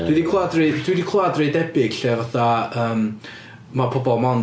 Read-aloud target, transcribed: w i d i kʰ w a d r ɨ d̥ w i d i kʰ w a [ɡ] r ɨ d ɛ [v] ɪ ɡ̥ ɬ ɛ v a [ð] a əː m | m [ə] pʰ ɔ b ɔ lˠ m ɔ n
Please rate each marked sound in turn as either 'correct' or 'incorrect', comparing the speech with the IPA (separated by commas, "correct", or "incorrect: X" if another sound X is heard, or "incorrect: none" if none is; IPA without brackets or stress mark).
incorrect: d, incorrect: b, incorrect: θ, incorrect: a